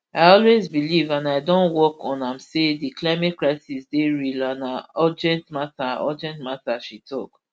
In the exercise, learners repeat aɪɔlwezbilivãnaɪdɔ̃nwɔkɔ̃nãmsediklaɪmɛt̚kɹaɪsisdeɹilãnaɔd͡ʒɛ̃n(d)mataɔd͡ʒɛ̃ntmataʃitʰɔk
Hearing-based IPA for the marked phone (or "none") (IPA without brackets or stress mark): t